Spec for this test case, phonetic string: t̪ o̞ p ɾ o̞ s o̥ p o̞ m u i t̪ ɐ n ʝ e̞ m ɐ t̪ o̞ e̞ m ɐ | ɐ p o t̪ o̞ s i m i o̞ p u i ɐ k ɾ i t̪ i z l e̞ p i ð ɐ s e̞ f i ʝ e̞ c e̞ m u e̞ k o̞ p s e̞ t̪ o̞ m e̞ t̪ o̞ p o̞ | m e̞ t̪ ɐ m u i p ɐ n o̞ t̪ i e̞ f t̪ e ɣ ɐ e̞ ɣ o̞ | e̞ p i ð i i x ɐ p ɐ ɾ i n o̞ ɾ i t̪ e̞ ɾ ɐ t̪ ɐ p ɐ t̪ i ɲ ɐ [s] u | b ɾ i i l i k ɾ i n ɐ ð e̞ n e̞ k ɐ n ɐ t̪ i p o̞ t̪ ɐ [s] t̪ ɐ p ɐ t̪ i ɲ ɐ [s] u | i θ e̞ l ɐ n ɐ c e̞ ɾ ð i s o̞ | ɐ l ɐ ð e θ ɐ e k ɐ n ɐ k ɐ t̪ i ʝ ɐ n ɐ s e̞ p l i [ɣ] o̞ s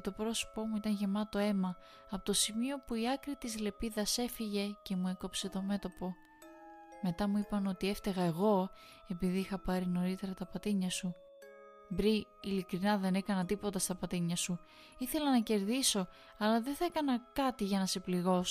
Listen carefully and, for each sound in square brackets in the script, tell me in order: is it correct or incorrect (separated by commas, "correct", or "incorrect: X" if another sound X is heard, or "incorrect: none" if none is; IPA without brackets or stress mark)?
correct, correct, correct, correct